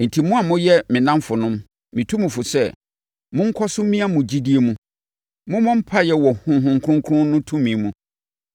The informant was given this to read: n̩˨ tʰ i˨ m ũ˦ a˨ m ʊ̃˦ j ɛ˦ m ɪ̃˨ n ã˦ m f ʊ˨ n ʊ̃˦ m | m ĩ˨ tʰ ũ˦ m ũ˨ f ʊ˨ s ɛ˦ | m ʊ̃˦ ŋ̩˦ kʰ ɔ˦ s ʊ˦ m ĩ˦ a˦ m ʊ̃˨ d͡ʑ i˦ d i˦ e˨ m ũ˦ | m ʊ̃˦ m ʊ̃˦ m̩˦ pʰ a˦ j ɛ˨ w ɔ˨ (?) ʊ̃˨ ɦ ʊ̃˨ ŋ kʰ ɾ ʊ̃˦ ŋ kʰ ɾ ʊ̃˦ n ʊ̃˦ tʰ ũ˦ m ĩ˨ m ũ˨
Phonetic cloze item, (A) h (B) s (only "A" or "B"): A